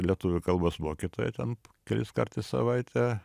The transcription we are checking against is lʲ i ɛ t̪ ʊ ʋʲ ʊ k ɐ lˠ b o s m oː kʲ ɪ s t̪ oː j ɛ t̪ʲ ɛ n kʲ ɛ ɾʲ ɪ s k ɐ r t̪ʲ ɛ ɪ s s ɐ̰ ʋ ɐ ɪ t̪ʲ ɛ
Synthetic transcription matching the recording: lʲ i ɛ t̪ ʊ ʋʲ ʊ k ɐ lˠ b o s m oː kʲ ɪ t̪ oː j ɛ t̪ʲ ɛ n kʲ ɛ lʲ ɪ s k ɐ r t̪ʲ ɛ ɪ s s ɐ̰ ʋ ɐ ɪ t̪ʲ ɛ